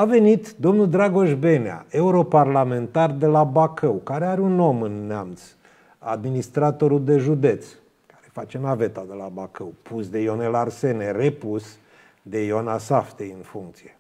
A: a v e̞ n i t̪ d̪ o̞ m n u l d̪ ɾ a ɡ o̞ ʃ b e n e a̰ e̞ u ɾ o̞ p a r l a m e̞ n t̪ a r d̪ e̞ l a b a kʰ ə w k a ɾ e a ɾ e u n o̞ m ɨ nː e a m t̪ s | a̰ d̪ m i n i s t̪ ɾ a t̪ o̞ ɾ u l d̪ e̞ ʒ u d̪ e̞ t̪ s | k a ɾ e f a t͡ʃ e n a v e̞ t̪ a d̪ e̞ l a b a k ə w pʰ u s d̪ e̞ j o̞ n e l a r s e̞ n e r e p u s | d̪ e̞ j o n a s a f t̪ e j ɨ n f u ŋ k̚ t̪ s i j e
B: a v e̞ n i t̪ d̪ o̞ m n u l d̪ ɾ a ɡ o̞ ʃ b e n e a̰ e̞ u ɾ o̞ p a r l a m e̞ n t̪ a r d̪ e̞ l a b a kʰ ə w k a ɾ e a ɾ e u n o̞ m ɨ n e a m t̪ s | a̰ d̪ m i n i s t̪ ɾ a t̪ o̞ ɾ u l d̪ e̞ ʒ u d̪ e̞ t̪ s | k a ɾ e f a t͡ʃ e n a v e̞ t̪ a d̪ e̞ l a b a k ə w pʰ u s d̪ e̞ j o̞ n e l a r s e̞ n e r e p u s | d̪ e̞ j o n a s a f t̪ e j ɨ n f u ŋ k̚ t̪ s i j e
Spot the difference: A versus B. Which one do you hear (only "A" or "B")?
A